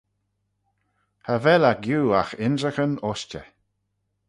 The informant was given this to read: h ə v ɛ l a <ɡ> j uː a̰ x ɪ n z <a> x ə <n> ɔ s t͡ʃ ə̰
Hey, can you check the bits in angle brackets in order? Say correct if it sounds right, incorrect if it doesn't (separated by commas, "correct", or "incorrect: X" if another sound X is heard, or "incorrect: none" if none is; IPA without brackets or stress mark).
correct, incorrect: ə, correct